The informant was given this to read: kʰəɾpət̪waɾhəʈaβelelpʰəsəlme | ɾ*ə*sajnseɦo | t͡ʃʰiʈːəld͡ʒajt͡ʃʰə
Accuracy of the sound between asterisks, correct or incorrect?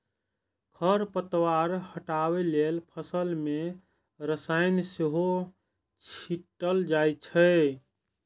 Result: correct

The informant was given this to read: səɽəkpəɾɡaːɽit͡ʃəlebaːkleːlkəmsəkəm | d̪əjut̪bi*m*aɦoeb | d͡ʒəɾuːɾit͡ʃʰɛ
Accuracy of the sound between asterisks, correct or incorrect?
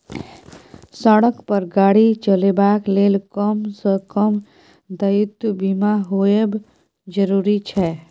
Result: correct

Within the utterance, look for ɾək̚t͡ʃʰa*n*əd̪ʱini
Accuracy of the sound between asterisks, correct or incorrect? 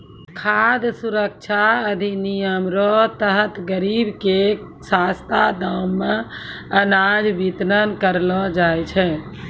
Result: incorrect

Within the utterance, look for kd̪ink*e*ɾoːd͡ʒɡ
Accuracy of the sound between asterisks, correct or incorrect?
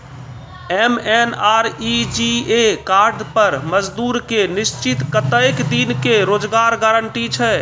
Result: correct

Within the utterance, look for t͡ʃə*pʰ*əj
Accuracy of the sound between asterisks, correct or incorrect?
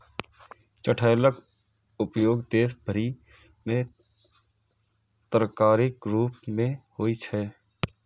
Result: incorrect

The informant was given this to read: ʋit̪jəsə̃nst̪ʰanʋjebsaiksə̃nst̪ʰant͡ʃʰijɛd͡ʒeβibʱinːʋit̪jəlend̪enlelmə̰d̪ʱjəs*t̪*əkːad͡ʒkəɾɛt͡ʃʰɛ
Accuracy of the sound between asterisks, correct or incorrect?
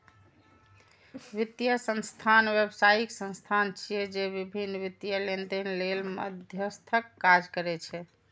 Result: incorrect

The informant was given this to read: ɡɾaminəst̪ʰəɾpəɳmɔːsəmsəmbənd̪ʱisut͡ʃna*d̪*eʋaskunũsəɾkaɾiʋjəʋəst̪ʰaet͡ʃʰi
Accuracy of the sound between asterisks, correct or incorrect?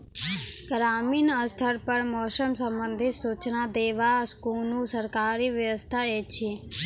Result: correct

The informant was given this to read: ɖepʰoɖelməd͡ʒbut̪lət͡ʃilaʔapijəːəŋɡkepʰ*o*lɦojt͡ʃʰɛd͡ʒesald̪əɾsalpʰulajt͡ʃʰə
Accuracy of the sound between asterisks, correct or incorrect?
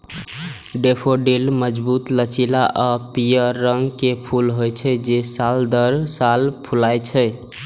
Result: incorrect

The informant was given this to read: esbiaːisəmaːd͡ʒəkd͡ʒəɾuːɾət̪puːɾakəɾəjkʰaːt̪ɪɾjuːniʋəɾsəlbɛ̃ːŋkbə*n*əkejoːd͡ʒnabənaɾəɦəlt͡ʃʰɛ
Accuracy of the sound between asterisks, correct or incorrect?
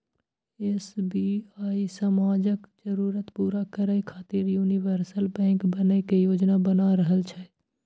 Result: correct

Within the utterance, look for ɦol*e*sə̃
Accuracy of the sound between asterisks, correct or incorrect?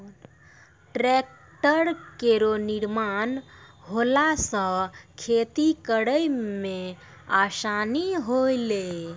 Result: incorrect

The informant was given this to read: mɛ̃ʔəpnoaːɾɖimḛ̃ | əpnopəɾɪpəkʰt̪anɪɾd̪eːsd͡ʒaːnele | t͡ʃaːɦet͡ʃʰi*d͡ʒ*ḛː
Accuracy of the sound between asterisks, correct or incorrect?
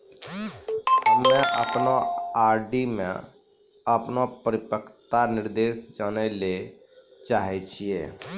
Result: incorrect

